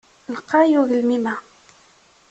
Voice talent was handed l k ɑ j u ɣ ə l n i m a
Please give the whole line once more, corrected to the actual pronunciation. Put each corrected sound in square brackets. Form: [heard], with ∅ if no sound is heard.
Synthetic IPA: l [q] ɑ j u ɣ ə l [m] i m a